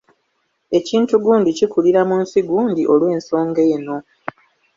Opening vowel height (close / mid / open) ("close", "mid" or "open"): mid